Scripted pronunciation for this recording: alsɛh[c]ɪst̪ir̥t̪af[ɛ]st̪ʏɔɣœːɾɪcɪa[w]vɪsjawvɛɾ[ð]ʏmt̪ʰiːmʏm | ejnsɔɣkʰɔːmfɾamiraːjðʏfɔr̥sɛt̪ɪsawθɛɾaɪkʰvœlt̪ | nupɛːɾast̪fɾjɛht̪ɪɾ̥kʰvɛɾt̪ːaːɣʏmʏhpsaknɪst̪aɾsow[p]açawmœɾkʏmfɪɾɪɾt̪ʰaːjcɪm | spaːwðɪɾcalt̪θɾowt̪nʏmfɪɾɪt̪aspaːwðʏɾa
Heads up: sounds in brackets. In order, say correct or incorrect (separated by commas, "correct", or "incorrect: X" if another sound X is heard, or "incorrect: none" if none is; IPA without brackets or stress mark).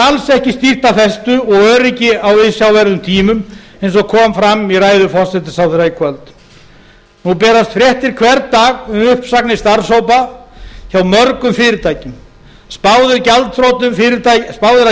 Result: correct, correct, correct, correct, correct